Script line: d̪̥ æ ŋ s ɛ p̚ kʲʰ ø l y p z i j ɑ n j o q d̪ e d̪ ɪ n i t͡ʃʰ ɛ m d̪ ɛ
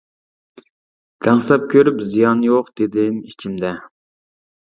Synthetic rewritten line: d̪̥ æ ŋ s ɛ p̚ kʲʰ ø ɾ y p z i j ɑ n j o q d̪ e d̪ ɪ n i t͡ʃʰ i m d̪ ɛ